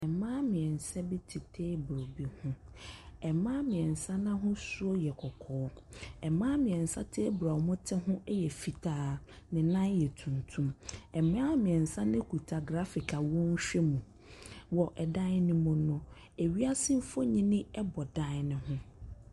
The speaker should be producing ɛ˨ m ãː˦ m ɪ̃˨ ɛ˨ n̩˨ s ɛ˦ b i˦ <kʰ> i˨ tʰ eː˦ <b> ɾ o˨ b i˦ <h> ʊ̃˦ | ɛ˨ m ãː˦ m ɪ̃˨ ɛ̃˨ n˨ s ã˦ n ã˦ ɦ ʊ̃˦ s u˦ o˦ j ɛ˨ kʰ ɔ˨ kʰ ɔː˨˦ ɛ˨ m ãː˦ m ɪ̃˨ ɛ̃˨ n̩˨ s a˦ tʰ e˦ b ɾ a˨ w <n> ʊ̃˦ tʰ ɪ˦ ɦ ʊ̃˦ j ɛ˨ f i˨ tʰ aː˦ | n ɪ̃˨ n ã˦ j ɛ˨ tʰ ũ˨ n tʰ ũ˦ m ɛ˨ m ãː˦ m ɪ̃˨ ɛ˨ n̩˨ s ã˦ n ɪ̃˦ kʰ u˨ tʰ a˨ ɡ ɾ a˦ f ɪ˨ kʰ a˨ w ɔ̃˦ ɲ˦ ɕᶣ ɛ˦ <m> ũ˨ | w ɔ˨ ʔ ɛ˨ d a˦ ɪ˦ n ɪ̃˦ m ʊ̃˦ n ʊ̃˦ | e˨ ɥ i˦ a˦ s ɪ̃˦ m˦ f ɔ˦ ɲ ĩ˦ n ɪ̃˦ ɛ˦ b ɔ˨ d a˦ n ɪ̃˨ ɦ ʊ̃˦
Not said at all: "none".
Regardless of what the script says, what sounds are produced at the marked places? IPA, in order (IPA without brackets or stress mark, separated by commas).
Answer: tʰ, b, h, m, m